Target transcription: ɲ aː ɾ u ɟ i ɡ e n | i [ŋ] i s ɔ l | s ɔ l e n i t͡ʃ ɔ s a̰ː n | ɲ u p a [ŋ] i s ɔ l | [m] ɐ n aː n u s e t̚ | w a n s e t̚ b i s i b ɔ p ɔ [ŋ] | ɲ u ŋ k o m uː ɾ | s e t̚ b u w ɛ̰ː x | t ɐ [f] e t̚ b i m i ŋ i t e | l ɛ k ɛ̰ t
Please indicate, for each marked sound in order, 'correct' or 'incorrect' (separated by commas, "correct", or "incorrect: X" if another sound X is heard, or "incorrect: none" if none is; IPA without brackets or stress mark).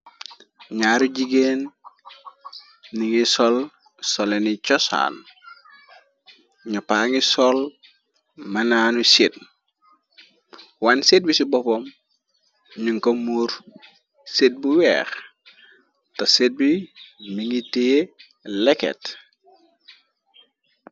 correct, correct, correct, incorrect: m, incorrect: s